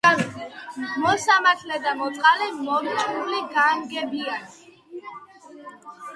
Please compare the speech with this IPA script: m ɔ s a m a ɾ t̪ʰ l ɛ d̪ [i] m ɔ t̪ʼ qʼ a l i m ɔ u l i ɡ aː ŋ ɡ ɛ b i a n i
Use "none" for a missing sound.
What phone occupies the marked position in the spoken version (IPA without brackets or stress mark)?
a